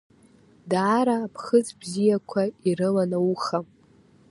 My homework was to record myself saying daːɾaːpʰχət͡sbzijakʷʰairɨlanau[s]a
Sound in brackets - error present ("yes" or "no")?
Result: yes